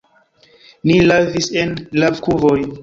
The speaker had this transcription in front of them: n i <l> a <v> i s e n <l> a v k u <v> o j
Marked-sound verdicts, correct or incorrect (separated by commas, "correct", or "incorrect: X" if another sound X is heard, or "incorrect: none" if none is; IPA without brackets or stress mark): correct, correct, correct, correct